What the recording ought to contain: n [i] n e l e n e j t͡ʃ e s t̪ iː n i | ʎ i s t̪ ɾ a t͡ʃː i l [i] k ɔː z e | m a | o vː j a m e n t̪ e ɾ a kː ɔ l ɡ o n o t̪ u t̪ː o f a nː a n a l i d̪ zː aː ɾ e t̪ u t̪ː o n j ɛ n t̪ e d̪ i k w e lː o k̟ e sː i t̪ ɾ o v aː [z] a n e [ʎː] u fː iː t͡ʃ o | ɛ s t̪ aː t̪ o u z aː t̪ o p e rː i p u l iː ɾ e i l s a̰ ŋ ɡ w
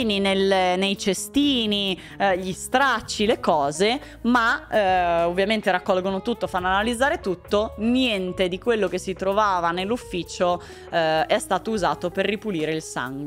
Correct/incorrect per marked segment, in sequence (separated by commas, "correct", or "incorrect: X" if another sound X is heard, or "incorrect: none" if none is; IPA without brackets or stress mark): correct, incorrect: e, incorrect: v, incorrect: lː